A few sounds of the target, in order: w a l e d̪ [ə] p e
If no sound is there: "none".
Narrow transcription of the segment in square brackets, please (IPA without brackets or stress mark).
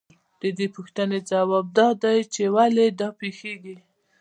ɑ